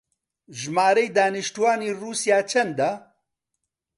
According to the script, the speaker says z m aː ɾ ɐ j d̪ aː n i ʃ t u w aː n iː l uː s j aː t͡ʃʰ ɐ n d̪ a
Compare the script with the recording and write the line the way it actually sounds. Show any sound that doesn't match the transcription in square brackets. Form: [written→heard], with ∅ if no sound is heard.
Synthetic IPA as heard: [z→ʒ] m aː ɾ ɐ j d̪ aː n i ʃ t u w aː n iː [l→r] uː s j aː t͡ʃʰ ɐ n d̪ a